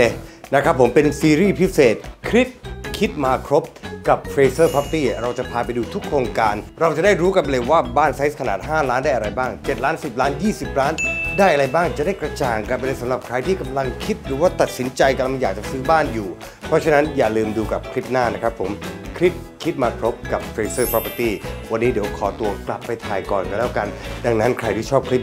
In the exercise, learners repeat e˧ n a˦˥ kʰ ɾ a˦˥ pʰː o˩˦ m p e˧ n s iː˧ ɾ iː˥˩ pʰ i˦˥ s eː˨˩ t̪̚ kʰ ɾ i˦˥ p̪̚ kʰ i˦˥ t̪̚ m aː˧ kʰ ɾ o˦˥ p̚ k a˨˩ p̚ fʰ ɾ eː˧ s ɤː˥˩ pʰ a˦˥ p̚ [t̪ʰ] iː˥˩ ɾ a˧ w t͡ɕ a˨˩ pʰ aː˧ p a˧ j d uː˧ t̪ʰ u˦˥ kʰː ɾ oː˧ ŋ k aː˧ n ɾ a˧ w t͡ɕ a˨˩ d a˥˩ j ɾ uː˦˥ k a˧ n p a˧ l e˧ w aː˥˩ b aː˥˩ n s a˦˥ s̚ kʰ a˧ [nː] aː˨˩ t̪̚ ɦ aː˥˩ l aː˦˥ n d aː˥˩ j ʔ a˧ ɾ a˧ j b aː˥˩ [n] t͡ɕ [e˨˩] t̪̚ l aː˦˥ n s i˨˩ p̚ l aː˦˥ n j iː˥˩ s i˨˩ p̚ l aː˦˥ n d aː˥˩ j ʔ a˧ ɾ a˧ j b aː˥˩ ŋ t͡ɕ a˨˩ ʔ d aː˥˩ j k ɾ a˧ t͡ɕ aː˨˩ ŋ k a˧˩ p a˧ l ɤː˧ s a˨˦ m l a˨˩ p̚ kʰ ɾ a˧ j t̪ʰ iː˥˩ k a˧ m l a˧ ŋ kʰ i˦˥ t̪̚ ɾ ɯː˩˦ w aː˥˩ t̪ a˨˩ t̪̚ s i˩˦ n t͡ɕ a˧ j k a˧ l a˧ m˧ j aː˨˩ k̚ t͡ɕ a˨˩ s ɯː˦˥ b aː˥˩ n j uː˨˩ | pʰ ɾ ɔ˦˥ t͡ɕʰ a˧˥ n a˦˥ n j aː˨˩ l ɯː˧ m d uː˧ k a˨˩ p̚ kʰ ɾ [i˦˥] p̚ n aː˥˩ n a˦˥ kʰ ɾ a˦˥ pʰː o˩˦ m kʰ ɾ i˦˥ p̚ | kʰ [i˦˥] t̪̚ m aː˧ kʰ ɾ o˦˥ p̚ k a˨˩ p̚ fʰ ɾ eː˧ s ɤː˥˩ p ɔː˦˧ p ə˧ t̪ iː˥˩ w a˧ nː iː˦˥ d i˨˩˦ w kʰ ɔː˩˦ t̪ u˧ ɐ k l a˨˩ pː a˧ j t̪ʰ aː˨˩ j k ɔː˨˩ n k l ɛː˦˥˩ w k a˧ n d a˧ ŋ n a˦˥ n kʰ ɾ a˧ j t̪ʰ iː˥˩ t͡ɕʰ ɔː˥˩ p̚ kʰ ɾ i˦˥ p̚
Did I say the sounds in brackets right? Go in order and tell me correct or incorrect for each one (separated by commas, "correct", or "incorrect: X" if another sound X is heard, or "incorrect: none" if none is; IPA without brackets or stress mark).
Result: incorrect: t̪, incorrect: n, incorrect: ŋ, correct, correct, correct